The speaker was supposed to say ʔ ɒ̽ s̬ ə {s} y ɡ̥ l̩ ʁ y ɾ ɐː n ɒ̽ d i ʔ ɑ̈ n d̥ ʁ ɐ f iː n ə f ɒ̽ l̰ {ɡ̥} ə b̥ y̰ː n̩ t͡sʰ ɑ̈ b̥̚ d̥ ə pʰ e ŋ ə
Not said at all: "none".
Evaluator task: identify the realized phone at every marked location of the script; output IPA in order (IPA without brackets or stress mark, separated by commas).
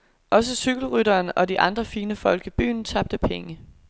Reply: s, ɡ̥